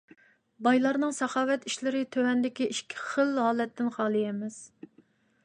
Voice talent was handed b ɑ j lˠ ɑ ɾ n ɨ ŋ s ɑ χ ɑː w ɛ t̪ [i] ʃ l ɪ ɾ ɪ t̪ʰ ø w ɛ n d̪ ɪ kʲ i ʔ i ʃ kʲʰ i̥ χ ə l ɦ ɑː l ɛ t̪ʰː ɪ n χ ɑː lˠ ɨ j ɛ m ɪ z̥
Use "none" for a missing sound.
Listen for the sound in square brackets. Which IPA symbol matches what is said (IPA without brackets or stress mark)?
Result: i